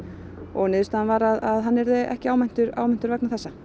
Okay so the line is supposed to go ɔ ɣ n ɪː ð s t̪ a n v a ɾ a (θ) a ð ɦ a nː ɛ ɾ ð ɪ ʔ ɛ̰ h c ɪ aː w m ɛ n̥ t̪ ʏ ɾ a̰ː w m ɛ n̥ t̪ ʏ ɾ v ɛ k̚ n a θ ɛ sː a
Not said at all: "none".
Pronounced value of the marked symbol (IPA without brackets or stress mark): ð